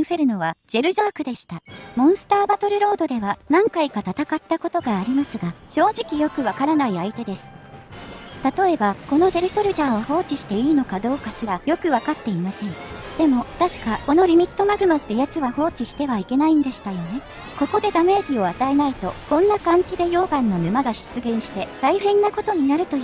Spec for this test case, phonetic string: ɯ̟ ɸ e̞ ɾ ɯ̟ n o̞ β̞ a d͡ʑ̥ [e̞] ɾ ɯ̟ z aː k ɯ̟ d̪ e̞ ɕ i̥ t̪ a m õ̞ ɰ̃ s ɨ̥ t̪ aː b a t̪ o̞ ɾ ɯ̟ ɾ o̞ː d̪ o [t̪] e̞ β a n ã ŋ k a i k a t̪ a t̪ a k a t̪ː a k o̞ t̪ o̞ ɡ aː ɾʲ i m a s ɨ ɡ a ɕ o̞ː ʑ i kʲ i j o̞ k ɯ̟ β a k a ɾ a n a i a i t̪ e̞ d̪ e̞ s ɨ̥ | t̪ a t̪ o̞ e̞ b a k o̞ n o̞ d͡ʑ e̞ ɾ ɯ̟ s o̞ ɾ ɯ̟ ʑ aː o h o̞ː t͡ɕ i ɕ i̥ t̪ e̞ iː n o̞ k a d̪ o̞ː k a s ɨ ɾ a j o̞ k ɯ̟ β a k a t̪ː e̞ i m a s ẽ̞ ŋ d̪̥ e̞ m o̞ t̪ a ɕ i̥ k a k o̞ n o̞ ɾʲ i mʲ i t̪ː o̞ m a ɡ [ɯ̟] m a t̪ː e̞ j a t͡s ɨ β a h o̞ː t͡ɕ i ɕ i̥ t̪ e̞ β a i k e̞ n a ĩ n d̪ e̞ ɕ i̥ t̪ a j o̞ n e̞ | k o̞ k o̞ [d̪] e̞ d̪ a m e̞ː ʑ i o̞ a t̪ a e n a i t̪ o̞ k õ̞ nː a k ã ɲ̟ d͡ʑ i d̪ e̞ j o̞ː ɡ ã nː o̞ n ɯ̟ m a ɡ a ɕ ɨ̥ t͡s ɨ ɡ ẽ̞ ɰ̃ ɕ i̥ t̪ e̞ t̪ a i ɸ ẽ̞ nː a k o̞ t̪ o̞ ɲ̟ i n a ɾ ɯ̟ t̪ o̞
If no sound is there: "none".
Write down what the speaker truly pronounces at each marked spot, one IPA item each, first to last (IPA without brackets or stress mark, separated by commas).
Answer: e̞, d̪, ɯ̟, d̪